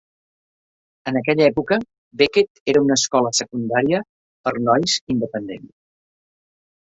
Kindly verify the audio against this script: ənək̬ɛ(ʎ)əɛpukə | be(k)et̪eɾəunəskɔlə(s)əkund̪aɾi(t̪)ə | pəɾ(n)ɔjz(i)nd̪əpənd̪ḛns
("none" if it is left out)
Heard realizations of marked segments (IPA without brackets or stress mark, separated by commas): ʎ, k, s, none, n, i